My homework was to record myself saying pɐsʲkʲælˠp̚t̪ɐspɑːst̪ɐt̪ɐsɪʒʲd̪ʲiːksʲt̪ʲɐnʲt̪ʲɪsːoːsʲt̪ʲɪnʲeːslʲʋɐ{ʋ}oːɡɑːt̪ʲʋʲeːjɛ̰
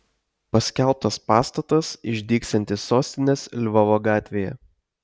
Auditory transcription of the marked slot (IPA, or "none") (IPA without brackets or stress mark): ʋ